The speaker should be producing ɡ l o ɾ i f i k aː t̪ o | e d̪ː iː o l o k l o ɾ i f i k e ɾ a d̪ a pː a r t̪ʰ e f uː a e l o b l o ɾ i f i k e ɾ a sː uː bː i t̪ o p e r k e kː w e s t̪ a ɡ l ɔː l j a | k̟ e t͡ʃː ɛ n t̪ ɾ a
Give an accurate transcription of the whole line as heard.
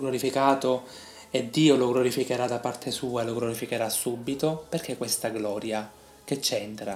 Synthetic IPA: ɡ l o ɾ i f i k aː t̪ o | e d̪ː iː o l o ɡ l o ɾ i f i k e ɾ a d̪ a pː a r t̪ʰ e s uː a e l o ɡ l o ɾ i f i k e ɾ a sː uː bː i t̪ o p e r k e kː w e s t̪ a ɡ l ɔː ɾ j a | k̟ e t͡ʃː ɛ n t̪ ɾ a